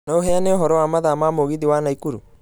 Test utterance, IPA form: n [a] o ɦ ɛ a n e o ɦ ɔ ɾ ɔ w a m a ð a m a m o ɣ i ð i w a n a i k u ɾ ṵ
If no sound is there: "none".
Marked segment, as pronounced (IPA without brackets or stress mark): a